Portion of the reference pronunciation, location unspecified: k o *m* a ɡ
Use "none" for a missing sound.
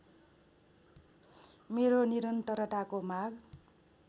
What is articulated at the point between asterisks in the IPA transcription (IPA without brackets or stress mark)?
m